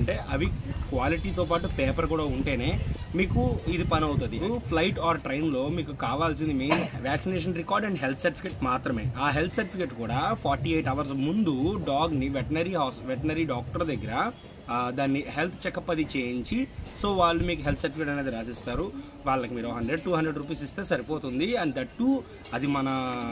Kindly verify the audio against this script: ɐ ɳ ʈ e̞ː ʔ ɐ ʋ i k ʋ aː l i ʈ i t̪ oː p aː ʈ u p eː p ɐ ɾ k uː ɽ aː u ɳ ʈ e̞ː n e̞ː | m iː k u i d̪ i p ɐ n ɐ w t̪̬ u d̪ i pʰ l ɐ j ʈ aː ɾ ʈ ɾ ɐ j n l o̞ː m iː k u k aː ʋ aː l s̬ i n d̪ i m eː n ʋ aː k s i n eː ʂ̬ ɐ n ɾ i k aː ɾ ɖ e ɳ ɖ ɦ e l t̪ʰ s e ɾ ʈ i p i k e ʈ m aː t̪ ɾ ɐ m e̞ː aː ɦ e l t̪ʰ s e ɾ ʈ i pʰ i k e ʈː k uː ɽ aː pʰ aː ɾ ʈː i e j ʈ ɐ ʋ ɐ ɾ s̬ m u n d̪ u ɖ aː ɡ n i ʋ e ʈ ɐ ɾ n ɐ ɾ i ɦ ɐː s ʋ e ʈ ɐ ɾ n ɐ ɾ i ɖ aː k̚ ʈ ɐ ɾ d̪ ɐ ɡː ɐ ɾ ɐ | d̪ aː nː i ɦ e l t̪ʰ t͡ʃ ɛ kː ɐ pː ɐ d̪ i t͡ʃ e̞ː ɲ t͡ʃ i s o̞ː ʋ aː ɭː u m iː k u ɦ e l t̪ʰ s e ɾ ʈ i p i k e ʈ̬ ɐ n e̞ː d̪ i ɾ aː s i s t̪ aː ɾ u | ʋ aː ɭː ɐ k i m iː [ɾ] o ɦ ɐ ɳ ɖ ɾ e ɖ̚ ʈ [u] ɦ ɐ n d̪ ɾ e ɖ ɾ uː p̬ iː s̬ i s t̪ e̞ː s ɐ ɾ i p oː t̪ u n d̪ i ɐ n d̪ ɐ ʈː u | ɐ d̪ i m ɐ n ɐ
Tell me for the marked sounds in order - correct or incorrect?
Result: correct, incorrect: uː

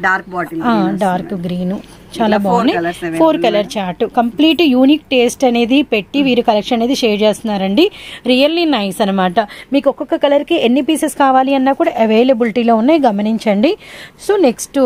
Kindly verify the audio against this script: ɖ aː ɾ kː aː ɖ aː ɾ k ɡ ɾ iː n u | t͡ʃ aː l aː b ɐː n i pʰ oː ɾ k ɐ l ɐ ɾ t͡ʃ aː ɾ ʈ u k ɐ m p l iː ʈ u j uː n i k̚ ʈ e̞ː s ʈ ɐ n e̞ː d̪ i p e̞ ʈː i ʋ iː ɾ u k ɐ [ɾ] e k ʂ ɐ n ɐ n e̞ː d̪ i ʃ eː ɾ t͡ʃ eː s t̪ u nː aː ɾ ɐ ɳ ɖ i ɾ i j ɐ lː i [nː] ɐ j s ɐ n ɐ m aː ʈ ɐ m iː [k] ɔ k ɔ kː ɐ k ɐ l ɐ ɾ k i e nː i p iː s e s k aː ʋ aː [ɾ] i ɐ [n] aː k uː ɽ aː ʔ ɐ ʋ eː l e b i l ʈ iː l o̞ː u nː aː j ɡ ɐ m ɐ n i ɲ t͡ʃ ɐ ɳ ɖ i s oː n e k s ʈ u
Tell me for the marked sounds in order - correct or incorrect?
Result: incorrect: l, incorrect: n, correct, incorrect: l, incorrect: nː

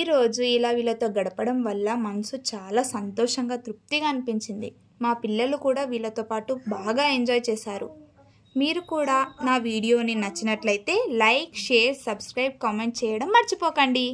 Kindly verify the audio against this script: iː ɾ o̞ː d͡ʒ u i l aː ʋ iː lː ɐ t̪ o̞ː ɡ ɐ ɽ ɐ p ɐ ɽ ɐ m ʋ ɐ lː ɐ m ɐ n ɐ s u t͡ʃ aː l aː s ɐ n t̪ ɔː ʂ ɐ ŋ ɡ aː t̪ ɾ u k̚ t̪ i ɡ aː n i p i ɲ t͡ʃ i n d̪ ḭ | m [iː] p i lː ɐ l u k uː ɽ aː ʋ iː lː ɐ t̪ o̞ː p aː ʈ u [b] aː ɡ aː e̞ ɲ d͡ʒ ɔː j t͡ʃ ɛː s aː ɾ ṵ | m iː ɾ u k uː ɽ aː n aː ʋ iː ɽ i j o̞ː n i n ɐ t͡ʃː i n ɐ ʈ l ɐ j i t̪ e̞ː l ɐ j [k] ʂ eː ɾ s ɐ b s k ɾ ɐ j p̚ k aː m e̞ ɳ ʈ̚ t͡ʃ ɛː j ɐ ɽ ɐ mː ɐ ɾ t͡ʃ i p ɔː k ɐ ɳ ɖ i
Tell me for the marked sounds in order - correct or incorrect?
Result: incorrect: aː, correct, correct

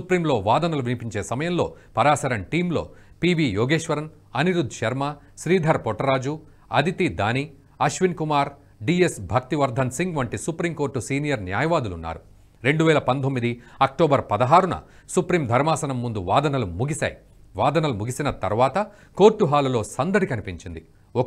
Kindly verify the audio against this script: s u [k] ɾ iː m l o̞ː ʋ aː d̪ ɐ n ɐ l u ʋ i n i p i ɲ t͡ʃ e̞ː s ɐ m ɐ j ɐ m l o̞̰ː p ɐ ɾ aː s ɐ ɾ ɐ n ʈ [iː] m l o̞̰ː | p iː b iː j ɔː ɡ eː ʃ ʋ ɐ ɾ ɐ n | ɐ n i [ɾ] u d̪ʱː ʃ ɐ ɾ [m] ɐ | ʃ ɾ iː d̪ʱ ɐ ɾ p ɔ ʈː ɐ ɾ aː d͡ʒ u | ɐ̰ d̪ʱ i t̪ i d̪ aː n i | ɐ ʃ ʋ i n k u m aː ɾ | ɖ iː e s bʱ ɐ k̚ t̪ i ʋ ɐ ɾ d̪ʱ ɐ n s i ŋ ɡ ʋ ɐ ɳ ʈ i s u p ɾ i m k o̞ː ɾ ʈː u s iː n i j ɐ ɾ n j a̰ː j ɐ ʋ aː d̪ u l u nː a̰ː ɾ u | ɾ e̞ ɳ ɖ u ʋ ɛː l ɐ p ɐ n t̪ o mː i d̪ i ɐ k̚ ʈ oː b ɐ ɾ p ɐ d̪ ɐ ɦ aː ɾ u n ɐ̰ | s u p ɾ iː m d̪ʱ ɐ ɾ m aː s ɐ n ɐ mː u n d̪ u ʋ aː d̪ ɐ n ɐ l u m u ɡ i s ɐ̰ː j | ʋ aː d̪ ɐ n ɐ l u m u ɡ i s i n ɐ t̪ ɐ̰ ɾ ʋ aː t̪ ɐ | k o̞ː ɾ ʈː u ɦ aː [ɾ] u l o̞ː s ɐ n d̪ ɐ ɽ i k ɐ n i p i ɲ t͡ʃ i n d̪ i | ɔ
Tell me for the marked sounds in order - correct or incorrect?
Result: incorrect: p, correct, correct, correct, incorrect: l

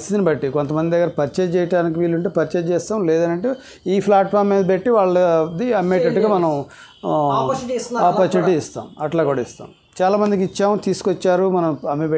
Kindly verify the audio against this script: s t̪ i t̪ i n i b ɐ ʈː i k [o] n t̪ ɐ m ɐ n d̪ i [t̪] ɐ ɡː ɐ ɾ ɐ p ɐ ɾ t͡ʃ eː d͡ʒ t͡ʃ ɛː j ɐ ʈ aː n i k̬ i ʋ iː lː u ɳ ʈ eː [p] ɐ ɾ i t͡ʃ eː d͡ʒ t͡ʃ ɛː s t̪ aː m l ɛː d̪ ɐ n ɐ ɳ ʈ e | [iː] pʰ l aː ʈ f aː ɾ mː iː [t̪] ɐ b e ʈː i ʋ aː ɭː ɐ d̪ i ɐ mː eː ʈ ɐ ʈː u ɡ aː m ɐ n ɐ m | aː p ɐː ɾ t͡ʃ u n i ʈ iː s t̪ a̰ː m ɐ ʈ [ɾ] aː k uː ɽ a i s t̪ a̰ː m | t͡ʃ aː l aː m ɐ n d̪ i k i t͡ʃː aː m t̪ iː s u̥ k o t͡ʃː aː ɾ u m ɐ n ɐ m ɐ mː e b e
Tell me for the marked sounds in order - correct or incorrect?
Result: correct, incorrect: d̪, correct, correct, incorrect: d̪, incorrect: l

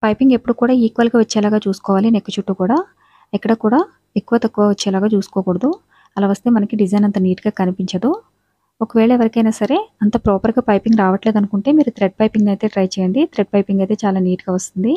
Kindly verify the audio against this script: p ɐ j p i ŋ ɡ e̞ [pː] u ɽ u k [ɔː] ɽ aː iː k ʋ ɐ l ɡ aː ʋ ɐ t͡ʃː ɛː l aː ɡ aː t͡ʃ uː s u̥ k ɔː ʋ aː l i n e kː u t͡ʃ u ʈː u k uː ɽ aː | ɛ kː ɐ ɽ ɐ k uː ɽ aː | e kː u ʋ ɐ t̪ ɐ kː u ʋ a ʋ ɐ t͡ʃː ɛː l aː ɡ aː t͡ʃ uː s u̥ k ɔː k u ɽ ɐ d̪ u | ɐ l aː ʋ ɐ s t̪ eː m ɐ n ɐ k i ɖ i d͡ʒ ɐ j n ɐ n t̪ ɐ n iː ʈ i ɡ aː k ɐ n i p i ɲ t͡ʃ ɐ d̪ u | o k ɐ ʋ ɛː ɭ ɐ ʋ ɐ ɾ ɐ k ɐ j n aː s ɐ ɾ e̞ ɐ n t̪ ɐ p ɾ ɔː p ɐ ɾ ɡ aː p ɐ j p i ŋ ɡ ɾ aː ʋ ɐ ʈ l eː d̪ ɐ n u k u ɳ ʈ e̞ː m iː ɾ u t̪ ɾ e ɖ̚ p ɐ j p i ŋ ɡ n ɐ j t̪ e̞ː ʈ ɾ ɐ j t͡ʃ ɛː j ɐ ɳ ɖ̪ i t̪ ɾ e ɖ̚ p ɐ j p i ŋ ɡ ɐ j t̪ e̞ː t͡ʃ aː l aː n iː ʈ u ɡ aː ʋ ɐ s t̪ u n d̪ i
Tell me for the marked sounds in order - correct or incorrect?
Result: correct, incorrect: uː

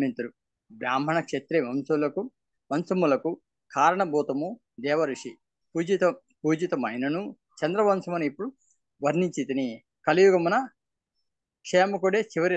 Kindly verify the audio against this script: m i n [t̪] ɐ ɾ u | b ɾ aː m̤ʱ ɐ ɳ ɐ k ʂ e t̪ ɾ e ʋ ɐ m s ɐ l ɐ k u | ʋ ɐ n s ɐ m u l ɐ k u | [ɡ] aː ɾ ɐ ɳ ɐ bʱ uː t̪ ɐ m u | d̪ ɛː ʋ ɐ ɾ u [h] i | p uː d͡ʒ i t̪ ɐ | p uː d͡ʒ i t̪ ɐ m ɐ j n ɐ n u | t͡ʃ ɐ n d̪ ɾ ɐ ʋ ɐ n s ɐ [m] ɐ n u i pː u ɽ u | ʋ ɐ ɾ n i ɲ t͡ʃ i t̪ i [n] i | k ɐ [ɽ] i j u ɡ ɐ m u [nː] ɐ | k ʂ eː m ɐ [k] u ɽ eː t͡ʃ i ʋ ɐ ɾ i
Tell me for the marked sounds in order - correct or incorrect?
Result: correct, incorrect: k, incorrect: ʂ, correct, correct, incorrect: l, incorrect: n, correct

